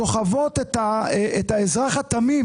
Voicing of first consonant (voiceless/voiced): voiceless